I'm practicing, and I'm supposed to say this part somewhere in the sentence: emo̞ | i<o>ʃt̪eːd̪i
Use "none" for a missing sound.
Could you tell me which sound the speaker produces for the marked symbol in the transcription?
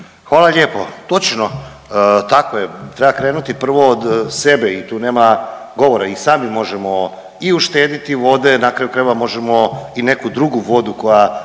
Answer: u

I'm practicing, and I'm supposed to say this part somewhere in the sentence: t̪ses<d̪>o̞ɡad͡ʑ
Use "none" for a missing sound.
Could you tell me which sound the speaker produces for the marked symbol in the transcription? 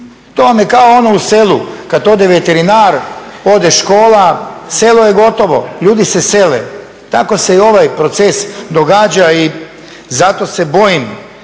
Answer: d̪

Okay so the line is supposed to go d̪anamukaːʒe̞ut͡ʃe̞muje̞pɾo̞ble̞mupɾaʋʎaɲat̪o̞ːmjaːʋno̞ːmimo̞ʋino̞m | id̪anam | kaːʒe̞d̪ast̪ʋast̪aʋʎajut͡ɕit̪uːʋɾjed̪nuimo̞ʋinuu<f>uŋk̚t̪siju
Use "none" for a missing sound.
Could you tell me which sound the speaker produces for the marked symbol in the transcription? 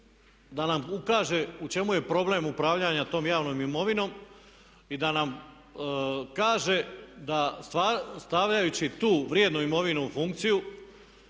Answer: f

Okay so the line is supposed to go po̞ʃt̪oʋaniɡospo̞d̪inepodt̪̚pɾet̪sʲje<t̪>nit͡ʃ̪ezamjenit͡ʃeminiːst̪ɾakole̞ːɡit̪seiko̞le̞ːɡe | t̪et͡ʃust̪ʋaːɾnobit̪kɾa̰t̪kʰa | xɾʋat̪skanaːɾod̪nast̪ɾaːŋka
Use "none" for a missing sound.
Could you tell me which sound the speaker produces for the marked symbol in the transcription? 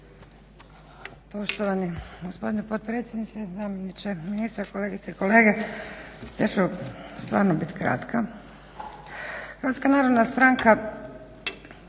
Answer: d̪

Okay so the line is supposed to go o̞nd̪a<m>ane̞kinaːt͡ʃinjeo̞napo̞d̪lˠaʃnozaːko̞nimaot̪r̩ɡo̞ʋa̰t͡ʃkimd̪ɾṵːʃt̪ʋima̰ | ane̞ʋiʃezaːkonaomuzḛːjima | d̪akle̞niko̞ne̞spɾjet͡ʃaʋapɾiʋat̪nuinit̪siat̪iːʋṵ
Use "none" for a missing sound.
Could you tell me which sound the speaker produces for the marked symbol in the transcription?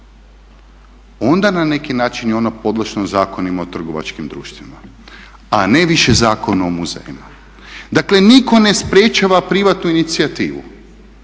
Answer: n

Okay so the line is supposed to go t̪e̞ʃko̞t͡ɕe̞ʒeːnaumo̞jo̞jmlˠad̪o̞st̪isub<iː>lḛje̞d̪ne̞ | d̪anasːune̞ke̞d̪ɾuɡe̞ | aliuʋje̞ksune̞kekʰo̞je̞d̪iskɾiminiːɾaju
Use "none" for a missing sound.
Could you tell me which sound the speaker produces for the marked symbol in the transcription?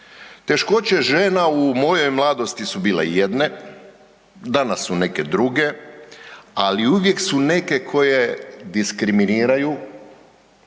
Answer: iː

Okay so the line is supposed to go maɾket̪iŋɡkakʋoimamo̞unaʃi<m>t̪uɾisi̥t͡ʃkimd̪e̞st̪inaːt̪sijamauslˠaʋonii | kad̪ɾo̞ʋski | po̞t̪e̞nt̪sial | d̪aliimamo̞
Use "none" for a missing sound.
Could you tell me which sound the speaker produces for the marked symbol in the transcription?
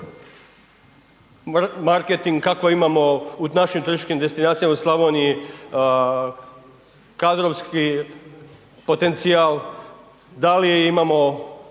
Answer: m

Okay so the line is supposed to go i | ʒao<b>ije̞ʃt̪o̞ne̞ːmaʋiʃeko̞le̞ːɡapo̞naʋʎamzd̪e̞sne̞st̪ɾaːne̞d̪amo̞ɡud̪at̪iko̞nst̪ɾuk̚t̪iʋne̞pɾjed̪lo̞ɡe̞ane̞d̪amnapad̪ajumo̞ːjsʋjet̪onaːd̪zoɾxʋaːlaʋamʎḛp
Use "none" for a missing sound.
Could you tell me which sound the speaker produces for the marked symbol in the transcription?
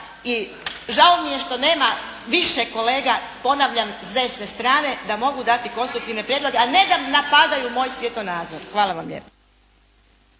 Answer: m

